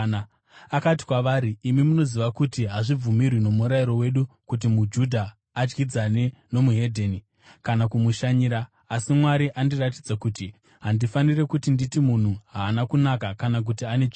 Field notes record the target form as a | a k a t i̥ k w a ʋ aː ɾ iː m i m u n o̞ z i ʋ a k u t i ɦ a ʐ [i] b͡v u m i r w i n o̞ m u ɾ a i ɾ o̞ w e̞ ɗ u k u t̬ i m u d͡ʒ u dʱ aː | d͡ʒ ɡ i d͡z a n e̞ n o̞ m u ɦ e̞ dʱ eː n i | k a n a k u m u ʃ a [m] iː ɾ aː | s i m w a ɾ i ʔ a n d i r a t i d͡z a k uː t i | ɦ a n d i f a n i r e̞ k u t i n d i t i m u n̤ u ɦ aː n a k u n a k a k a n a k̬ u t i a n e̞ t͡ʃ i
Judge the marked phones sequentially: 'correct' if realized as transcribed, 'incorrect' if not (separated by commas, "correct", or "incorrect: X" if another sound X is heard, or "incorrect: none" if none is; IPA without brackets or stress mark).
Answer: correct, incorrect: ɲ